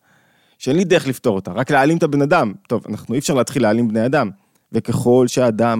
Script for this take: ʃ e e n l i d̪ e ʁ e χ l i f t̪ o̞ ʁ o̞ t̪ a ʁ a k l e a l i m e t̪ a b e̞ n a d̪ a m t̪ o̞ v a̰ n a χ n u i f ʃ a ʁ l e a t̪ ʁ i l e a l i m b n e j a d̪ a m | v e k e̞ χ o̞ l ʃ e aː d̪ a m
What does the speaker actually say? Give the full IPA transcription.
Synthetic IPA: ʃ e e n l i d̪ e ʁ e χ l i f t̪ o̞ ʁ o̞ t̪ a ʁ a k l e a l i m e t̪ a b e̞ n a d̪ a m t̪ o̞ v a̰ n a χ n u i f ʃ a ʁ l e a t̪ χ i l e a l i m b n e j a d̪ a m | v e k e̞ χ o̞ l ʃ e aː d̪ a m